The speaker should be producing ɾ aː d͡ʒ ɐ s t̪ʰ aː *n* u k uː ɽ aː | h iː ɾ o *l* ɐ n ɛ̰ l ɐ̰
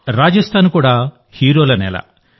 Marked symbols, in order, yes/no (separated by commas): yes, yes